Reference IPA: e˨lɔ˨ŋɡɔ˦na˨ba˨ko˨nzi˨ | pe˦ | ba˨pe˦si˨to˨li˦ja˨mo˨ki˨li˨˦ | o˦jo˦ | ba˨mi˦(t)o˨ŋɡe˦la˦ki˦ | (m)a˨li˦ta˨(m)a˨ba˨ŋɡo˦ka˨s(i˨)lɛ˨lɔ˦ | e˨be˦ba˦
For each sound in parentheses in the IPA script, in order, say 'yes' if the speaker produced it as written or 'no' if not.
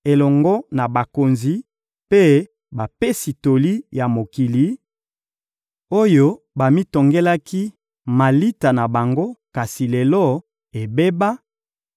yes, yes, no, yes

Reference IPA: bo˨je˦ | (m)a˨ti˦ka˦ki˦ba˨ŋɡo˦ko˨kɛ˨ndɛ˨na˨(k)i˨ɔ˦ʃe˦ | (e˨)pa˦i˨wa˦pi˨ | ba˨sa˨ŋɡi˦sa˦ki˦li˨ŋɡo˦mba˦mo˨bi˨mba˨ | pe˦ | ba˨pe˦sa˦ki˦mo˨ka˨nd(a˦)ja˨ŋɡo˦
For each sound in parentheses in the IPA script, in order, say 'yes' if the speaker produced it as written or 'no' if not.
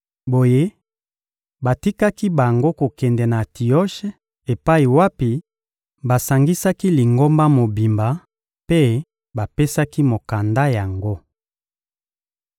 no, no, yes, yes

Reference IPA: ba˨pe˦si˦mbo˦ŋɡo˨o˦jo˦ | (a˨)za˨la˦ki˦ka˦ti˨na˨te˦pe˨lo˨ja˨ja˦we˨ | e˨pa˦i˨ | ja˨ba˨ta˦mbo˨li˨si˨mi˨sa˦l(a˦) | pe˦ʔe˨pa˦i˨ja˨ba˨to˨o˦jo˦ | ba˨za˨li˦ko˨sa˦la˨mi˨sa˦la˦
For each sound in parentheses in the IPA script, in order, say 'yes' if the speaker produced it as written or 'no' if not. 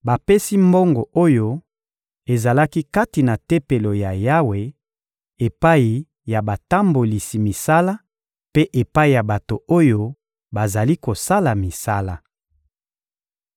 no, yes

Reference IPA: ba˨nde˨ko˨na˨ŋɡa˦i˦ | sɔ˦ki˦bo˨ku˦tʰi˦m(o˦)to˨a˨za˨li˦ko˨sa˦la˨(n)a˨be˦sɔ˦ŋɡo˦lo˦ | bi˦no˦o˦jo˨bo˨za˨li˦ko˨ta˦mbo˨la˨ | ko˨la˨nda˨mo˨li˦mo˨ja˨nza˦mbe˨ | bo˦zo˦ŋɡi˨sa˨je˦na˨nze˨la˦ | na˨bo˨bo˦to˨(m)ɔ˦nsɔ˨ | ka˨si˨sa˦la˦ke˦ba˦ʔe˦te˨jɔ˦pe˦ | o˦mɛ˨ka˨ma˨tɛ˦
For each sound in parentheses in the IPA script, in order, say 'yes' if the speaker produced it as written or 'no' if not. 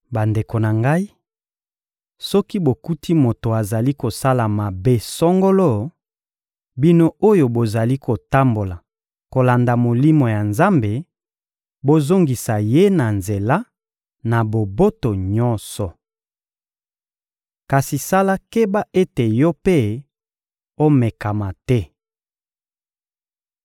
no, no, no

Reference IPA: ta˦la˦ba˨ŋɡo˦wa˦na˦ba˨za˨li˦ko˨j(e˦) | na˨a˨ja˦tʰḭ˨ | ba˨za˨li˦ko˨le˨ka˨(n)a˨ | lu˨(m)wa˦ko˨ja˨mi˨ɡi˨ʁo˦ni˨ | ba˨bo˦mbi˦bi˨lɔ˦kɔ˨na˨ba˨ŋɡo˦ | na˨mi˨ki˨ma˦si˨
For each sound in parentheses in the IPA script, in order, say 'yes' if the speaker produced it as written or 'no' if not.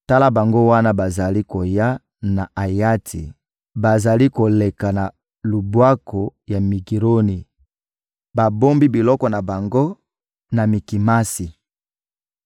no, yes, no

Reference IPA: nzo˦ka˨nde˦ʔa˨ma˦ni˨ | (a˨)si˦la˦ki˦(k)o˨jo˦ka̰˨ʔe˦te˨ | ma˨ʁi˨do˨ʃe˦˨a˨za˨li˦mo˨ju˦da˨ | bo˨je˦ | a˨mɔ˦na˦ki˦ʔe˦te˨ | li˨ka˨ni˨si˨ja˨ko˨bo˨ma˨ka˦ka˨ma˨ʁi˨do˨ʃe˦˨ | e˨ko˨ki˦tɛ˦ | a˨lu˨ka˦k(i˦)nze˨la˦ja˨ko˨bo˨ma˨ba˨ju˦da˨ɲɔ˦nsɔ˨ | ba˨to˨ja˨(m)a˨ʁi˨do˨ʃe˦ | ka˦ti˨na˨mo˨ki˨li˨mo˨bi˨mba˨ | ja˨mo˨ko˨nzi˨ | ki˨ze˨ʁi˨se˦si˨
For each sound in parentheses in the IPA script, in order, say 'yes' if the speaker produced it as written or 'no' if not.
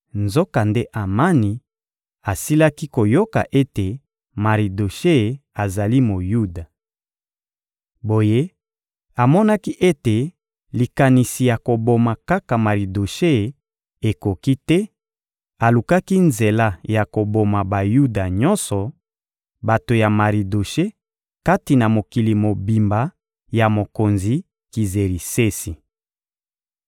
yes, yes, yes, yes

